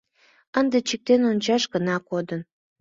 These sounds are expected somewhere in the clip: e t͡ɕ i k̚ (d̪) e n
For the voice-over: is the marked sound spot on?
no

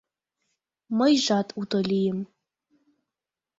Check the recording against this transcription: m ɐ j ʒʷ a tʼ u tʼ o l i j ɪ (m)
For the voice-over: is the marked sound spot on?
yes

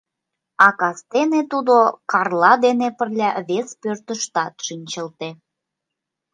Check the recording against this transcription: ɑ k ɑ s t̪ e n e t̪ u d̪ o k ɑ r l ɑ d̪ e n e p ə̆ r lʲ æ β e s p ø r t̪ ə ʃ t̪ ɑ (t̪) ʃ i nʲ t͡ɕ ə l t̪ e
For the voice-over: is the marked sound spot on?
yes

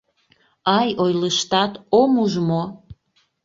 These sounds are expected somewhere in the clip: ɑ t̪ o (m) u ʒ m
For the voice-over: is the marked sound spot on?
yes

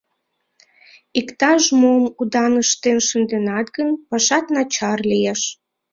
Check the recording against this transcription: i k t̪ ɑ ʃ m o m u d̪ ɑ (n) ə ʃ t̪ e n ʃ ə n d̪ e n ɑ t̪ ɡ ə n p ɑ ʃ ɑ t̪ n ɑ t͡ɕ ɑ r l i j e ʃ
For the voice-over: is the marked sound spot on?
yes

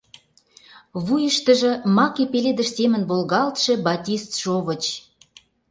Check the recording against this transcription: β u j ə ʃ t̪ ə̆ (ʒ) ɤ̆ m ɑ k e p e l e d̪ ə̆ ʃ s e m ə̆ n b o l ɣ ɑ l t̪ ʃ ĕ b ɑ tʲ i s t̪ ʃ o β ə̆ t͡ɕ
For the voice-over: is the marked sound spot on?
yes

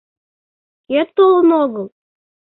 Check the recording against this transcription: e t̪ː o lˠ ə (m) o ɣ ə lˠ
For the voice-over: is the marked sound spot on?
no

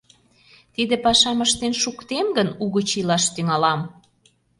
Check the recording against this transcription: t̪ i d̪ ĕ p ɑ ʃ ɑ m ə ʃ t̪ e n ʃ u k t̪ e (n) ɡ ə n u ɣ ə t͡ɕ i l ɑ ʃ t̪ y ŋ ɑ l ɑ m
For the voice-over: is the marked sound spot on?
no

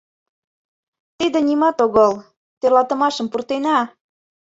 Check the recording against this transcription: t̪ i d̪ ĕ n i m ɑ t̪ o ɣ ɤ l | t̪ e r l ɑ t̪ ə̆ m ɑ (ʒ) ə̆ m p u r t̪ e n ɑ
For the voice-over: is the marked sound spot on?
no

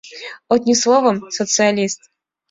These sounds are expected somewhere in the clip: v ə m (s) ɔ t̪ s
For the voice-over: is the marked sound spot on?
yes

